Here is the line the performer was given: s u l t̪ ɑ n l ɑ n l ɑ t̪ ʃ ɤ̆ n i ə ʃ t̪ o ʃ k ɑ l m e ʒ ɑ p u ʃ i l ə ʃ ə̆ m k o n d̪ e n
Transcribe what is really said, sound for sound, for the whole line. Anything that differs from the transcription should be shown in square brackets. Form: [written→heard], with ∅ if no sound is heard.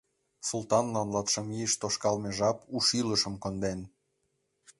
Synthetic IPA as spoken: s u l t̪ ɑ n l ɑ n l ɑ t̪ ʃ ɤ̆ [n→m] i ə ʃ t̪ o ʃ k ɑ l m e ʒ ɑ p u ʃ i l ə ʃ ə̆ m k o n d̪ e n